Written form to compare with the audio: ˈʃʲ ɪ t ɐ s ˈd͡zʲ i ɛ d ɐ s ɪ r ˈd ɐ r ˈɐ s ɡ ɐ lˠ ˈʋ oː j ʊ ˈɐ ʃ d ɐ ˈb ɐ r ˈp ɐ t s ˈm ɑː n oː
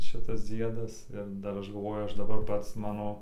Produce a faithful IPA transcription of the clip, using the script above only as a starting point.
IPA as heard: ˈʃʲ ɪ t ɐ s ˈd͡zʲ i ɛ d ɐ s ɪ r ˈd ɐ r ˈɐ ʃ ɡ ɐ lˠ ˈʋ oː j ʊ ˈɐ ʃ d ɐ ˈb ɐ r ˈp ɐ t s ˈm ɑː n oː

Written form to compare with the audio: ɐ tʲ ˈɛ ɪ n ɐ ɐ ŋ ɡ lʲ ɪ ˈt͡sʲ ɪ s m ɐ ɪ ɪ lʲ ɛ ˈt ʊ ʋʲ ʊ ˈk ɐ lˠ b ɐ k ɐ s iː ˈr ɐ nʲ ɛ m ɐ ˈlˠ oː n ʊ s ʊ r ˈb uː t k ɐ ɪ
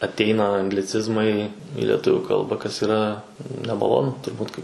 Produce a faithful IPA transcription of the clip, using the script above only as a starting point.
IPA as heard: ɐ tʲ ˈɛ ɪ n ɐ ɐ ŋ ɡ lʲ ɪ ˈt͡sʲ ɪ z m ɐ ɪ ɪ lʲ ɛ ˈt ʊ ʋʲ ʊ ˈk ɐ lˠ b ɐ k ɐ s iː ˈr ɐ nʲ ɛ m ɐ ˈlˠ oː n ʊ t ʊ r ˈb uː t k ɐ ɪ

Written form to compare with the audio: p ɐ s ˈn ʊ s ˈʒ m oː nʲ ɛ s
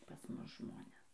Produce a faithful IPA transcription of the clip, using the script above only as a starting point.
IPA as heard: p ɐ s ˈm ʊ s ˈʒ m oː nʲ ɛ s

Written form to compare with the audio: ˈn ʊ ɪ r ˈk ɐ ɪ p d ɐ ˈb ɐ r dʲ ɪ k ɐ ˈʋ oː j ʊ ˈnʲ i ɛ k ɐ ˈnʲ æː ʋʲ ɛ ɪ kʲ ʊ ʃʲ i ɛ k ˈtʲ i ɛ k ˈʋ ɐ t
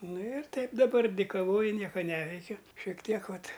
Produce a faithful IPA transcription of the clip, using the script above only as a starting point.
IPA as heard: ˈn ʊ ɪ r ˈt ɐ ɪ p d ɐ ˈb ɐ r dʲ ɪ k ɐ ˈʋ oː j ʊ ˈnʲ i ɛ k ɐ ˈnʲ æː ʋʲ ɛ ɪ kʲ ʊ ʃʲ i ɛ k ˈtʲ i ɛ k ˈʋ ɐ t

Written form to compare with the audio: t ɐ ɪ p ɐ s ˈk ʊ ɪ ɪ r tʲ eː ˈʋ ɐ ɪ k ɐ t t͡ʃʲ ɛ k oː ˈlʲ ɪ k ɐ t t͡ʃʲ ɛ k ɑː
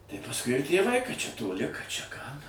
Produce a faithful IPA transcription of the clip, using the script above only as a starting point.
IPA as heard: t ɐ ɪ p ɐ s ˈk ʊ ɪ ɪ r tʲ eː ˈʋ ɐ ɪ k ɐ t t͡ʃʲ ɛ t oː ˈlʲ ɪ k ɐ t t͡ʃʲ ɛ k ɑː

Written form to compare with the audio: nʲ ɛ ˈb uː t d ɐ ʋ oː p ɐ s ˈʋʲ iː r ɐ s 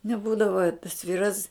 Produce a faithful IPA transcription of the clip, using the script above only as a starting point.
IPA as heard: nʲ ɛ ˈb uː d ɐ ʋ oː t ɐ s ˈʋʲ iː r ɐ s

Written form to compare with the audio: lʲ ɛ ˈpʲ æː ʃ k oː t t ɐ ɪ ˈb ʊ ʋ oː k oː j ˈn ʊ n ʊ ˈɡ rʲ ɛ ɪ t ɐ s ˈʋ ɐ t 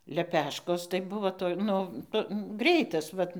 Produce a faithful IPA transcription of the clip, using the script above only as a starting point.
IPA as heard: lʲ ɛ ˈpʲ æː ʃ k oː s t ɐ ɪ ˈb ʊ ʋ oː t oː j ˈn ʊ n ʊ ˈɡ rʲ ɛ ɪ t ɐ s ˈʋ ɐ t

